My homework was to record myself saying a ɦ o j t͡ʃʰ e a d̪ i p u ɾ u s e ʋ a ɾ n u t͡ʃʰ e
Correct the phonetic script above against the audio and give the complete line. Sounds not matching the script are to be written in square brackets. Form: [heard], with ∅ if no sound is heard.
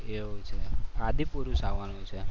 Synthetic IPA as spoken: [e] ɦ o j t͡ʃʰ e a d̪ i p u ɾ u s [a] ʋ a [∅] n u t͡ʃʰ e